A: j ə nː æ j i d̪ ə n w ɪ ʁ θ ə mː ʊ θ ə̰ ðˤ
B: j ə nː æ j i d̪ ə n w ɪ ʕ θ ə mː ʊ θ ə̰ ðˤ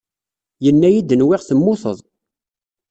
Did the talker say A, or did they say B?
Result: A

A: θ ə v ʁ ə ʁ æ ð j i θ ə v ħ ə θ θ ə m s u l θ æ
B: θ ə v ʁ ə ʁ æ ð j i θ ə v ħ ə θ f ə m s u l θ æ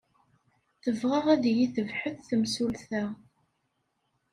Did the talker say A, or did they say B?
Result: A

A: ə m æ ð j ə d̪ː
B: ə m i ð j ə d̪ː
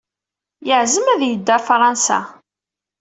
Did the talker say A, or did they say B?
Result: A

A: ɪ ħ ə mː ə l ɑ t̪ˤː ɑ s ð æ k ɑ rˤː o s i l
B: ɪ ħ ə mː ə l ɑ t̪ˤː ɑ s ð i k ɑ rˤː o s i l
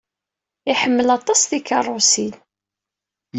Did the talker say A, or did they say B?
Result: B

